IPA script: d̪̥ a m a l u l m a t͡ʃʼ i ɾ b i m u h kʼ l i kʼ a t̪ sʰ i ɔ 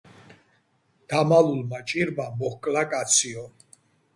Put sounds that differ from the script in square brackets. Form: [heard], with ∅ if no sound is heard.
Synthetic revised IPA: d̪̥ a m a l u l m a t͡ʃʼ i ɾ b [a] m [ɔ] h kʼ l [a] kʼ a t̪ sʰ i ɔ